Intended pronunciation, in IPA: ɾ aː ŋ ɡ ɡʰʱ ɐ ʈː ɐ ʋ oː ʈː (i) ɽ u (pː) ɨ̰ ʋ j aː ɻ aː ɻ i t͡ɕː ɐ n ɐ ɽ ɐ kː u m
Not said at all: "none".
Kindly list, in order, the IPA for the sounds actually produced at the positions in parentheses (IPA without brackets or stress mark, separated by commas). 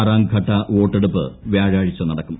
e, pː